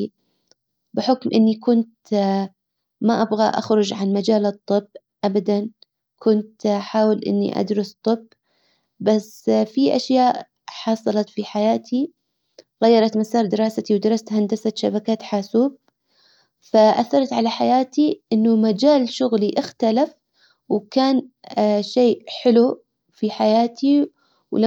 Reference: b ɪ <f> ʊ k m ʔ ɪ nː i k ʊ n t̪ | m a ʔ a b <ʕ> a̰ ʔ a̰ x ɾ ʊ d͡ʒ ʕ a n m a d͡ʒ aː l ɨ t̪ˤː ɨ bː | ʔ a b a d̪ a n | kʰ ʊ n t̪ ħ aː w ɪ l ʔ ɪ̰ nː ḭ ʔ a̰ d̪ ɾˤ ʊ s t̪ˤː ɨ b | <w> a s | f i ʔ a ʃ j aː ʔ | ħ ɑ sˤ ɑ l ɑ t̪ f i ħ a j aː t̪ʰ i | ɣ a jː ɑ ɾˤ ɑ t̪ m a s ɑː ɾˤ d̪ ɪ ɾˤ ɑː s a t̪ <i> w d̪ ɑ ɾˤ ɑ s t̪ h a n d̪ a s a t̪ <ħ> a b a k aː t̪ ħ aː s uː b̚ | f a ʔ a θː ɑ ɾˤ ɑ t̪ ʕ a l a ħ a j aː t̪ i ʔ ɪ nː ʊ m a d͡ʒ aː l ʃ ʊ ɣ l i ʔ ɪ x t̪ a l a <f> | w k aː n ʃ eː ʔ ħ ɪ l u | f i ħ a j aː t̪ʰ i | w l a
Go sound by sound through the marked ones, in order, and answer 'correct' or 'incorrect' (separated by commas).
incorrect, incorrect, incorrect, correct, incorrect, correct